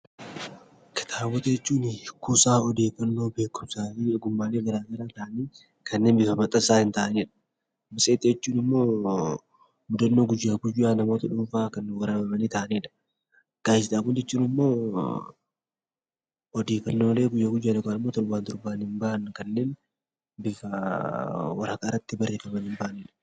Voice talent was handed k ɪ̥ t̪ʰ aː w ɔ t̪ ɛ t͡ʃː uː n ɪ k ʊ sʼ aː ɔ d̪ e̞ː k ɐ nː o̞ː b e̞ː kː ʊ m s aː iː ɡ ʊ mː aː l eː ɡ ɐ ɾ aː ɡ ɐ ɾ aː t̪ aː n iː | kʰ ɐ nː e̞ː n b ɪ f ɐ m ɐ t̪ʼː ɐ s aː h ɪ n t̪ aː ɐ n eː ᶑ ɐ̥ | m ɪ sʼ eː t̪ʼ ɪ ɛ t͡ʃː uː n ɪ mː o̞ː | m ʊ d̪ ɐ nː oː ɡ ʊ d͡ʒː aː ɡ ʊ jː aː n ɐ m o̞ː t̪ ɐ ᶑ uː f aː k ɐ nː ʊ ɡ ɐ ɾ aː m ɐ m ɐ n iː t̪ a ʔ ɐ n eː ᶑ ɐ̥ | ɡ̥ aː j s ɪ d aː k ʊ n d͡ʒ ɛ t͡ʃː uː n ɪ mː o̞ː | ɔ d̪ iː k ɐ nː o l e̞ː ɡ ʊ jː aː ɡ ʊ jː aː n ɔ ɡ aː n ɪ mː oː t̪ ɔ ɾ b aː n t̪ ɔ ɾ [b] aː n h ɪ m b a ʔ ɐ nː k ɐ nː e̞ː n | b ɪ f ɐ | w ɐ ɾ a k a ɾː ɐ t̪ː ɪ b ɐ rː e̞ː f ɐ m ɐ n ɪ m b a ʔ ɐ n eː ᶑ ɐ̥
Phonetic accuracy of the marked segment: correct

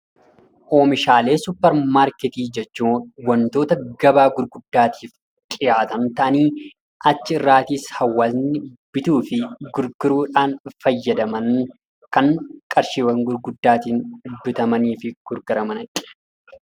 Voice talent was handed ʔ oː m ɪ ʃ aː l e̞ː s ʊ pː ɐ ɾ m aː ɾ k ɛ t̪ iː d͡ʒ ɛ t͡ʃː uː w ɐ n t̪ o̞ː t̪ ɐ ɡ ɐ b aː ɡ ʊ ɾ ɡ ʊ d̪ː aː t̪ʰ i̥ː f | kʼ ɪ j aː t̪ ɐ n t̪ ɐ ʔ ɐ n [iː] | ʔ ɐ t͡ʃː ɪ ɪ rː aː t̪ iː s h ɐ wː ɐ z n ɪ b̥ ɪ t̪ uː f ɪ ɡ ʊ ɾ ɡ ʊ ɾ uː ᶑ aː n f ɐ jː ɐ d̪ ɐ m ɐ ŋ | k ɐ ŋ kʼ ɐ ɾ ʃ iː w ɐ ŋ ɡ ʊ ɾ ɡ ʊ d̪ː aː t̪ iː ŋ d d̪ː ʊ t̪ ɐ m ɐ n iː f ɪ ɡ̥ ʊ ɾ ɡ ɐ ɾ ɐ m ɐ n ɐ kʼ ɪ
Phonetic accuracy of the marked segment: correct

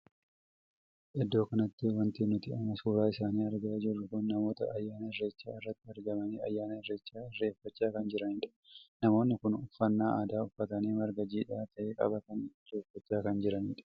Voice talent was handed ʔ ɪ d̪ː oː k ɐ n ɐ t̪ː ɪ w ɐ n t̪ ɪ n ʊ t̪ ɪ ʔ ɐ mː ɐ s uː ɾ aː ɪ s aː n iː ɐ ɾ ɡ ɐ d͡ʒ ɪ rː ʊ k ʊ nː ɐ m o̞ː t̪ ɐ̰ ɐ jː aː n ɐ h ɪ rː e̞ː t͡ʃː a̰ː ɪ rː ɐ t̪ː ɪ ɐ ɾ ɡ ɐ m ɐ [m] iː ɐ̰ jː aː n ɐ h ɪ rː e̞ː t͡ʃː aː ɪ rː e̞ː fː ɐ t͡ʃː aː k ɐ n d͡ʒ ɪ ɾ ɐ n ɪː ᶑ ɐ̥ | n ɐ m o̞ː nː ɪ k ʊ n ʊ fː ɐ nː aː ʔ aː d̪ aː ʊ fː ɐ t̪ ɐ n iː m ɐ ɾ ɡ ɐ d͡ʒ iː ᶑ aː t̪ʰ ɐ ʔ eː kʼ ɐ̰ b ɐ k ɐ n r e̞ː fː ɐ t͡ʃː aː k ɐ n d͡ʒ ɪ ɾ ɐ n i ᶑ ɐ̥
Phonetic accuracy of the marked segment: incorrect: n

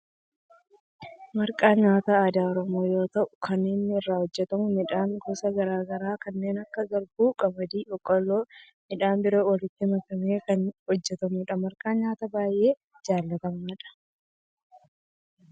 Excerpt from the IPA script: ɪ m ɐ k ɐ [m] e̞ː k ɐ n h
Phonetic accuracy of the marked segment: correct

